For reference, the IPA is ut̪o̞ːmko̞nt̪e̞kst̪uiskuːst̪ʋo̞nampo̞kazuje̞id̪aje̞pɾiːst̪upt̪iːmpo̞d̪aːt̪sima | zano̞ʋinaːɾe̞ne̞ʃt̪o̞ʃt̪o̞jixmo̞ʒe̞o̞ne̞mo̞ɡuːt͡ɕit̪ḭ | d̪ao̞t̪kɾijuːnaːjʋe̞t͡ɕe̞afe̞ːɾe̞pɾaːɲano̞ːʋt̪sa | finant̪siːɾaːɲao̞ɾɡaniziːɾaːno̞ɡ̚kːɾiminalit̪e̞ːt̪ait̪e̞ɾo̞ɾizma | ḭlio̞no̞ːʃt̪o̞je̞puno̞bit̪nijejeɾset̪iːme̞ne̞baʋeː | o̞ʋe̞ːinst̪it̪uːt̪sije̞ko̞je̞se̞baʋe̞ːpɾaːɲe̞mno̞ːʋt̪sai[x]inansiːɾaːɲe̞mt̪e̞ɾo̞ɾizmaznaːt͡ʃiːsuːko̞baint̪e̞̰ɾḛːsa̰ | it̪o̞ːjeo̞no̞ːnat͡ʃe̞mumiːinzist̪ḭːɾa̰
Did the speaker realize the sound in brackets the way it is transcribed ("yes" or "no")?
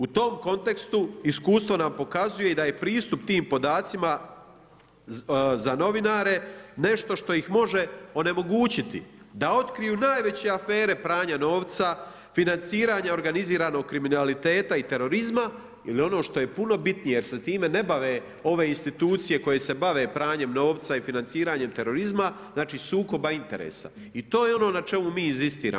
no